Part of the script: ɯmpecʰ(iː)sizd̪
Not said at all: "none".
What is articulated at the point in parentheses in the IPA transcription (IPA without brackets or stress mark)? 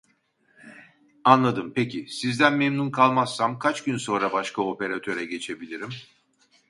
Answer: i